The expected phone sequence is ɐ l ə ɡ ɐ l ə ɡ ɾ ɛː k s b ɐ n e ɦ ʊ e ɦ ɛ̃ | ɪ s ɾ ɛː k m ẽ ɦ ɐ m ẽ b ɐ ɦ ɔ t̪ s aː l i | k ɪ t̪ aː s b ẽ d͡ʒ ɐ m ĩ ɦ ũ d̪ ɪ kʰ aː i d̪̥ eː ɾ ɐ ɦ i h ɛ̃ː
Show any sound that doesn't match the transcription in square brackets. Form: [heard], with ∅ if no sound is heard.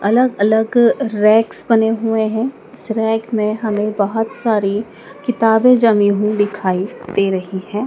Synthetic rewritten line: ɐ l ə ɡ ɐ l ə ɡ ɾ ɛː k s b ɐ n e ɦ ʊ e ɦ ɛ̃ | ɪ s ɾ ɛː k m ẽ ɦ ɐ m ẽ b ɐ ɦ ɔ t̪ s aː [ɾ] i | k ɪ t̪ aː [∅] b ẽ d͡ʒ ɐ m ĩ ɦ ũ d̪ ɪ kʰ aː i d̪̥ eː ɾ ɐ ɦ i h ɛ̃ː